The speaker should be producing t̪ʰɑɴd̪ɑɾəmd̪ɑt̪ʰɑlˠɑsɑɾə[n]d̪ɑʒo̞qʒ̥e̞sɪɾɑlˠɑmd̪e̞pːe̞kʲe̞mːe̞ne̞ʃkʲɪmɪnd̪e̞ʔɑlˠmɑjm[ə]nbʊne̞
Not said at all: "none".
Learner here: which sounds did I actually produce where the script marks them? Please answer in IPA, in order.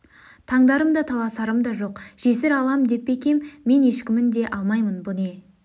m, ə

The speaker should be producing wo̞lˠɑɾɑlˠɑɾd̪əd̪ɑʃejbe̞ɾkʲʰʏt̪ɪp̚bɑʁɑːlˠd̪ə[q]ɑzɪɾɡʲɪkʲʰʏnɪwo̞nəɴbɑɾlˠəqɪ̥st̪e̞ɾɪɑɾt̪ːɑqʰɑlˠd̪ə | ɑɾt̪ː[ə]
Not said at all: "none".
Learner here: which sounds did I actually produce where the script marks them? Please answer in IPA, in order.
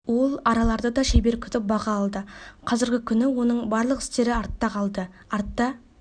qʰ, ɑ

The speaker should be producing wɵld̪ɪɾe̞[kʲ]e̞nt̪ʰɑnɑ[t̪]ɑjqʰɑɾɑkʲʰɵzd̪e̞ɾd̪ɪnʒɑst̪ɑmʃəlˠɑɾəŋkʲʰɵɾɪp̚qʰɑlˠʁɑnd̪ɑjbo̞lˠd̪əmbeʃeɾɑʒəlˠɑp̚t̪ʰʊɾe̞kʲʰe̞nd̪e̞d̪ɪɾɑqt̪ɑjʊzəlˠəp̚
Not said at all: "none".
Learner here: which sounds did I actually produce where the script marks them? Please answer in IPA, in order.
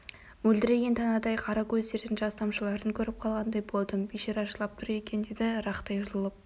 ɡʲ, d̪

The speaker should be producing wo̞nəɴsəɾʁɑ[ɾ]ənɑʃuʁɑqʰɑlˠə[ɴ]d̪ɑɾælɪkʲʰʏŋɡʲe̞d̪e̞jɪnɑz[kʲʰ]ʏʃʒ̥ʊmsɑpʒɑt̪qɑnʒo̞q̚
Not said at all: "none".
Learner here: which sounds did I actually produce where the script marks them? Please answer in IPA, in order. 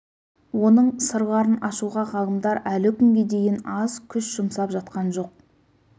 ɾ, m, kʲʰ

